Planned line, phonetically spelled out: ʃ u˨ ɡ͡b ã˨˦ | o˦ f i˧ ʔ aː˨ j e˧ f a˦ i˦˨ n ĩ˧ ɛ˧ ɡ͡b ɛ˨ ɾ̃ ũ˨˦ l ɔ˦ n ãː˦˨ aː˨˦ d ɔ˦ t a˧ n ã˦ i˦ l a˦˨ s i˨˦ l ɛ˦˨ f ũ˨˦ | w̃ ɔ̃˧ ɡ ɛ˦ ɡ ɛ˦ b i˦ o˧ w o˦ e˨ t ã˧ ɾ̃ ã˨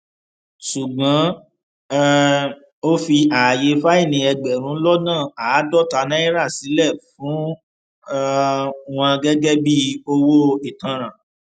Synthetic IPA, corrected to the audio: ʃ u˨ ɡ͡b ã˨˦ | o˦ f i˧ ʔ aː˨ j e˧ f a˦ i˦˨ n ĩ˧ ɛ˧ ɡ͡b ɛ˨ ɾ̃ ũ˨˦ l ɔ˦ n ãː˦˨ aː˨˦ d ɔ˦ t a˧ n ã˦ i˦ ɾ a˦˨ s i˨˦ l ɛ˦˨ f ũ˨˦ | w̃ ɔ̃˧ ɡ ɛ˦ ɡ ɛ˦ b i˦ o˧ w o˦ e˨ t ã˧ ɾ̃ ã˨